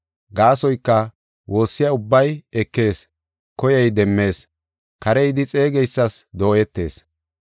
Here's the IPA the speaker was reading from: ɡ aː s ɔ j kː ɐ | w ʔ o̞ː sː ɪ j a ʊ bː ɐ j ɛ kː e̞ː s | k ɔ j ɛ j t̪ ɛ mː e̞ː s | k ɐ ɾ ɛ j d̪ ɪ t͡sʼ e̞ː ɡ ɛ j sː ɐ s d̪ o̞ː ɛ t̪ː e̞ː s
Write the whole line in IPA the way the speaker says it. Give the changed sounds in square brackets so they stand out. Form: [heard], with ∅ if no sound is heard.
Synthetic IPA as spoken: ɡ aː s ɔ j kː ɐ | w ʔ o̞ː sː ɪ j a ʊ bː ɐ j ɛ kː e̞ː s | k ɔ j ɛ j [d̪] ɛ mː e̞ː s | k ɐ ɾ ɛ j d̪ ɪ t͡sʼ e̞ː ɡ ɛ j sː ɐ s d̪ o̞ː ɛ t̪ː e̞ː s